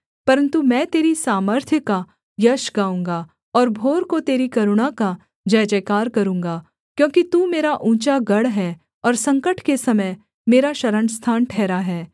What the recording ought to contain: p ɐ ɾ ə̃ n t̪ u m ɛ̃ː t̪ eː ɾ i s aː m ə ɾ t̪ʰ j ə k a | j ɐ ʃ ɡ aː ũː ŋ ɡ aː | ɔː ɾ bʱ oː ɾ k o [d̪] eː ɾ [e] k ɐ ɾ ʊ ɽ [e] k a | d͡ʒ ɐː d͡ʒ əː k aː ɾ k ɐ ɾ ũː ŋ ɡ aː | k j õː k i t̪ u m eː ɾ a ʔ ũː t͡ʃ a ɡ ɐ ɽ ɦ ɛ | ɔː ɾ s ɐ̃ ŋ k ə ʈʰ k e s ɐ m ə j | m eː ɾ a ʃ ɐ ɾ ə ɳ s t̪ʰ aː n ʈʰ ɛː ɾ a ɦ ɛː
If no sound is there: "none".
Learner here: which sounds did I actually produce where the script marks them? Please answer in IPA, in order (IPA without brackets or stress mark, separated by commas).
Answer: t̪, i, a